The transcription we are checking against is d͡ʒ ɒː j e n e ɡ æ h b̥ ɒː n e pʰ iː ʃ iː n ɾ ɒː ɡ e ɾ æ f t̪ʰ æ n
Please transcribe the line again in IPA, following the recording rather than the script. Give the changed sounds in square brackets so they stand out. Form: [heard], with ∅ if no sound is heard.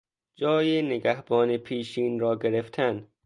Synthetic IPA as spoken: d͡ʒ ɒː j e n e ɡ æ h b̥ ɒː n e pʰ iː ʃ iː n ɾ ɒː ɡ e ɾ [e] f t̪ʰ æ n